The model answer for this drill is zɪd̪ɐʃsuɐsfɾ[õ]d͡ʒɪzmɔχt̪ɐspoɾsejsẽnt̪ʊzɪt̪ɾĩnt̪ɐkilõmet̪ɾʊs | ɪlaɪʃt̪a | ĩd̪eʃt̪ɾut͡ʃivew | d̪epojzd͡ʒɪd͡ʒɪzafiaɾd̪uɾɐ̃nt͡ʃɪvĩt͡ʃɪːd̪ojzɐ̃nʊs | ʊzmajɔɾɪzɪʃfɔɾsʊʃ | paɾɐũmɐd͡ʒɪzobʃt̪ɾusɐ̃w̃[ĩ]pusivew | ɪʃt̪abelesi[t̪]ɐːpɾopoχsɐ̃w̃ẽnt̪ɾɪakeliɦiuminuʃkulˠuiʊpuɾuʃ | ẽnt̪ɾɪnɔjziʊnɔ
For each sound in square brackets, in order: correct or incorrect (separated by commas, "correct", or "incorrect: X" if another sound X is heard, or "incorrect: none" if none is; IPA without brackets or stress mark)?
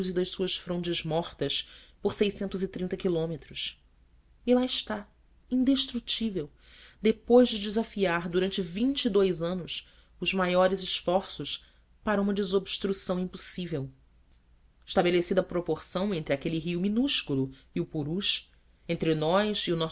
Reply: correct, correct, incorrect: d̪